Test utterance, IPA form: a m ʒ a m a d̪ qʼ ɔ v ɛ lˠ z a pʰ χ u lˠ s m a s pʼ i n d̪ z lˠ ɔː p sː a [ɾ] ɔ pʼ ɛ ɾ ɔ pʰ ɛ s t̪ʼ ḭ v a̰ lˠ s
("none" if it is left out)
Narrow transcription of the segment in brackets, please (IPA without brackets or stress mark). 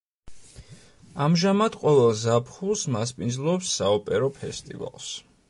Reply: none